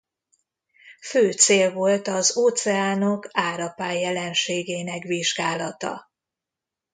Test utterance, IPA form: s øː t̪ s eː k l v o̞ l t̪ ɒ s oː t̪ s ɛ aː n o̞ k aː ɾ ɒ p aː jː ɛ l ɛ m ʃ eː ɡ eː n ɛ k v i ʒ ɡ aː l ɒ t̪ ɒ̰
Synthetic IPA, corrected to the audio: f øː t̪ s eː l v o̞ l t̪ ɒ z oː t̪ s ɛ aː n o̞ k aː ɾ ɒ p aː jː ɛ l ɛ n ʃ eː ɡ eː n ɛ k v i ʒ ɡ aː l ɒ t̪ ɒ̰